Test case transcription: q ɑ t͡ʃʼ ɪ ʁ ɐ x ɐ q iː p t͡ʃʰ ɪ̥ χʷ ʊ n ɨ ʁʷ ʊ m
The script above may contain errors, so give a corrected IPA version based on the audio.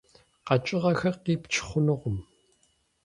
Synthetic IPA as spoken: q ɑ t͡ʃʼ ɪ ʁ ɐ x ɐ q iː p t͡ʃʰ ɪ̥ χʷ ʊ n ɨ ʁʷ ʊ m